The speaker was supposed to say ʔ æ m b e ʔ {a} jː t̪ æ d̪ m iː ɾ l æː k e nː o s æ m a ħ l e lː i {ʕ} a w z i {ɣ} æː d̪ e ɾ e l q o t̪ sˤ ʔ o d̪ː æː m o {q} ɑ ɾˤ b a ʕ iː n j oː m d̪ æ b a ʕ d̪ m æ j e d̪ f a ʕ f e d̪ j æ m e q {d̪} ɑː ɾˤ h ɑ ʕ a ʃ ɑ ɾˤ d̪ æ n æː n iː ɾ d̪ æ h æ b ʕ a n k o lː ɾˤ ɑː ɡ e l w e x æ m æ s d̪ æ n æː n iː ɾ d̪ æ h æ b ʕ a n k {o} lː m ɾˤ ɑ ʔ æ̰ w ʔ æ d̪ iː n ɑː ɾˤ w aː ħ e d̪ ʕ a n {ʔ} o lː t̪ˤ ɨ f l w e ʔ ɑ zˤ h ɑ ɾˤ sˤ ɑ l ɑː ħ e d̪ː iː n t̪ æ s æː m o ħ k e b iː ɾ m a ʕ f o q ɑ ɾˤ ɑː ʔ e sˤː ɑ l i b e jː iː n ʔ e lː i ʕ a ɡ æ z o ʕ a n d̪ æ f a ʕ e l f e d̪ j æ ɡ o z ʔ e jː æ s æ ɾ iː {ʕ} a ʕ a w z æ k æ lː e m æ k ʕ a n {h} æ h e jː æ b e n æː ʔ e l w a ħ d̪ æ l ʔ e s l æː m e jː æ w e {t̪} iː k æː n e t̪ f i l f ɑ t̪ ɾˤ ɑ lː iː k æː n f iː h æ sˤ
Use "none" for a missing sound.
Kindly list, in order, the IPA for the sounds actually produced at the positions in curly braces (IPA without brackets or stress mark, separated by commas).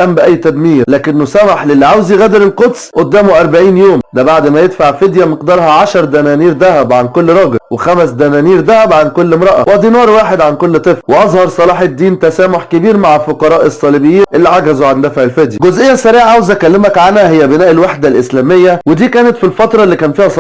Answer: æ, ʕ, ɣ, ʔ, d̪, o, k, ʕ, h, d̪